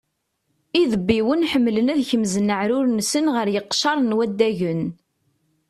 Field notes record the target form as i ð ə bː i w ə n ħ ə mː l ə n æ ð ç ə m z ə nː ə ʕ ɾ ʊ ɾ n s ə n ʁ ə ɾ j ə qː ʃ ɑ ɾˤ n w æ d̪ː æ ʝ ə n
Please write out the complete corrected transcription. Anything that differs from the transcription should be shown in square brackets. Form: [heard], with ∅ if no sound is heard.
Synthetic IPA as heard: i ð ə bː i w ə n ħ ə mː l ə n æ ð ç ə m z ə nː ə ʕ ɾ ʊ ɾ n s ə n ʁ ə ɾ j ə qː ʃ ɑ ɾˤ n w æ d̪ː æ ʝ ə n